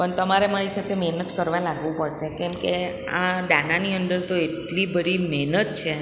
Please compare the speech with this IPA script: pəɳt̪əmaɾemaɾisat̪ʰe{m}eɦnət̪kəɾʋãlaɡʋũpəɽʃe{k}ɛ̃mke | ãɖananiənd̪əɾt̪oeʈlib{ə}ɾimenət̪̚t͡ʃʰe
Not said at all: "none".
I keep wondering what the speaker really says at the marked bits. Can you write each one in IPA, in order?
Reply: m, k, ə

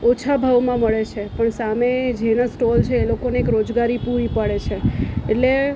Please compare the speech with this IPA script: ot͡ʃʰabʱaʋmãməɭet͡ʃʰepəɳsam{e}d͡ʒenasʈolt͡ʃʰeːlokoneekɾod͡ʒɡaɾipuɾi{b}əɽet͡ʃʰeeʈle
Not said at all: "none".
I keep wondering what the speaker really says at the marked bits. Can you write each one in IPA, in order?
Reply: e, p

